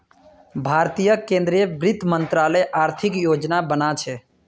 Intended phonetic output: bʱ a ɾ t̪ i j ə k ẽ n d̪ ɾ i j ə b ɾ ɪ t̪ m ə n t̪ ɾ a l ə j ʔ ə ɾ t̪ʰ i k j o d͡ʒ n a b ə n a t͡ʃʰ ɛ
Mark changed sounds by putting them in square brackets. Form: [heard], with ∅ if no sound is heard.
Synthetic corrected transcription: bʱ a ɾ t̪ i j ə k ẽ n d̪ ɾ i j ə b ɾ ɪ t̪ m ə n t̪ ɾ a l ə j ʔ [a] ɾ t̪ʰ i k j o d͡ʒ n a b ə n a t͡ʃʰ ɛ